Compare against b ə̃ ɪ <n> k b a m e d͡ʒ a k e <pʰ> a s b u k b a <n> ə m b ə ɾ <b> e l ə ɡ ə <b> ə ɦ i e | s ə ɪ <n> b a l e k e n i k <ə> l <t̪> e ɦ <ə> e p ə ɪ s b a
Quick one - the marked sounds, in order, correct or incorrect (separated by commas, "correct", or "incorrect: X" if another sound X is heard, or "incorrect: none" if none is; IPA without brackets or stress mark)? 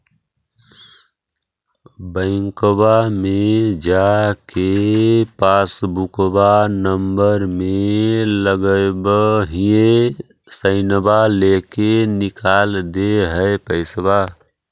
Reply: incorrect: ŋ, incorrect: p, correct, incorrect: m, correct, correct, incorrect: a, incorrect: d̪, correct